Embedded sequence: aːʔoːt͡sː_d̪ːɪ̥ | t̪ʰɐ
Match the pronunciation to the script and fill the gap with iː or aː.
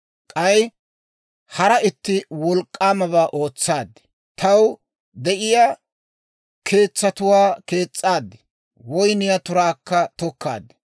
aː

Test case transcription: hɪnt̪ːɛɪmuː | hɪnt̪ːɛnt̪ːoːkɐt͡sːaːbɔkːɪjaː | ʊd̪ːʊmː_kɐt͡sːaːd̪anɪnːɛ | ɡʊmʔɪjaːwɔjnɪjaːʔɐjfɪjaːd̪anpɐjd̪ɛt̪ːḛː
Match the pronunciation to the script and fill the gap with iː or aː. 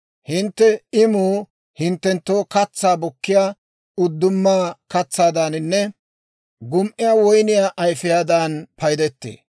aː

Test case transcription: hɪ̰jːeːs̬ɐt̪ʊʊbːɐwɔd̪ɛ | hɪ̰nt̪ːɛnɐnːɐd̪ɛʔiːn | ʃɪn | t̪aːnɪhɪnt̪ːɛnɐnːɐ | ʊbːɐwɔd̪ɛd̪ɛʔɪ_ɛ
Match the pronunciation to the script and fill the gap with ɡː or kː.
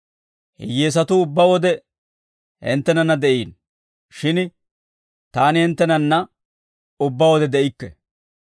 kː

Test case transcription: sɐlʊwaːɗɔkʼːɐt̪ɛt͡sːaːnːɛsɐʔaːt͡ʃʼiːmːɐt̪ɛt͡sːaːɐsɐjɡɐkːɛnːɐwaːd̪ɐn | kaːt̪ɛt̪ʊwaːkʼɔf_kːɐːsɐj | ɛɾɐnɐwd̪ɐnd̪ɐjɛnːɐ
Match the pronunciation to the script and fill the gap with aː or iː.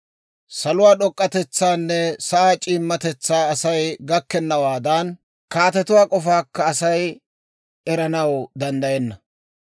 aː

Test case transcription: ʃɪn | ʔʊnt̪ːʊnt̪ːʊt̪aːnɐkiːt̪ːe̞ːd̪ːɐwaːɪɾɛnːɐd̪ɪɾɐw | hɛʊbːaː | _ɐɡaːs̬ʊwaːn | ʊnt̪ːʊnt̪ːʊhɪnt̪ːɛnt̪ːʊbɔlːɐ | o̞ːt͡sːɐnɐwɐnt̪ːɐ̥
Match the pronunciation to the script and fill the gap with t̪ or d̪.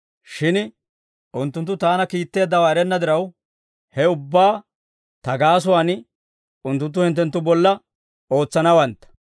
t̪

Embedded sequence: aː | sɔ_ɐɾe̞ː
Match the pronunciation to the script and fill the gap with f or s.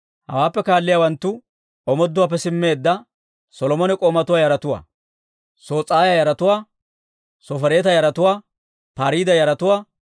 f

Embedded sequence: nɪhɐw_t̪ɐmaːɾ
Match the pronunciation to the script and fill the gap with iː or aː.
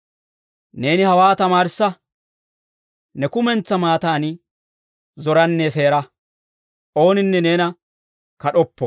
aː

